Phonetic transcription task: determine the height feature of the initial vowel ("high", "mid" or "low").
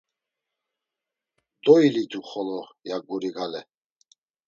mid